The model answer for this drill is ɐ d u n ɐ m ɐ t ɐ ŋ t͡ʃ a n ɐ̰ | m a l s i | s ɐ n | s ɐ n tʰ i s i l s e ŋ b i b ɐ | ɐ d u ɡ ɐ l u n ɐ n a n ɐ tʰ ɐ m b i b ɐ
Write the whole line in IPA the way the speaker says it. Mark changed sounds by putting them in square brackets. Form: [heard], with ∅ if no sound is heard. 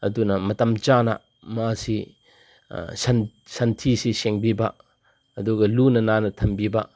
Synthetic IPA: ɐ d u n ɐ m ɐ t ɐ [m] t͡ʃ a n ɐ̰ | m a [∅] s i | s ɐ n | s ɐ n tʰ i s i [∅] s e ŋ b i b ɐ | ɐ d u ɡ ɐ l u n ɐ n a n ɐ tʰ ɐ m b i b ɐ